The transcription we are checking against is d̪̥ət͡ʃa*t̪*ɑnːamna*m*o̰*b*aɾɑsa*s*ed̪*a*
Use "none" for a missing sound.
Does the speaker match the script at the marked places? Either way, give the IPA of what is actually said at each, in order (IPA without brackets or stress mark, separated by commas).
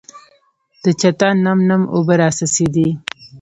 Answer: t̪, m, b, s, i